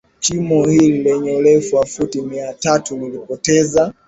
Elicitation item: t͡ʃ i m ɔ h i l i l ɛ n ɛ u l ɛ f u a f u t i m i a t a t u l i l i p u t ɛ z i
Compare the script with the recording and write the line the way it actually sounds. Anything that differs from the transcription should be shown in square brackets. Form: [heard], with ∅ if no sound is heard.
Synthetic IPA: t͡ʃ i m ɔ h i l i l ɛ [ɲ] ɛ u l ɛ f u a f u t i m i a t a t u l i l i p [ɔ] t ɛ z [a]